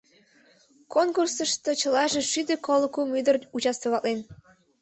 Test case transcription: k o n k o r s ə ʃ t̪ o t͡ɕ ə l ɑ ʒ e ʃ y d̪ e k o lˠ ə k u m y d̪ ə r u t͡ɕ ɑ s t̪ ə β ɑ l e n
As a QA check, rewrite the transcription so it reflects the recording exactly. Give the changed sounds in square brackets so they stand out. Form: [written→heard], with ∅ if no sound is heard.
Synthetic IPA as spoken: k o n k [o→u] r s ə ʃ t̪ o t͡ɕ ə l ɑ ʒ e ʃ y d̪ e k o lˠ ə k u m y d̪ ə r u t͡ɕ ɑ s t̪ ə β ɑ l e n